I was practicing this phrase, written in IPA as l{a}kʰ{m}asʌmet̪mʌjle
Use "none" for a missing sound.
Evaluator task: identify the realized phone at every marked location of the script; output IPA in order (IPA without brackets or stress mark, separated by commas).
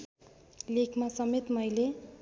e, m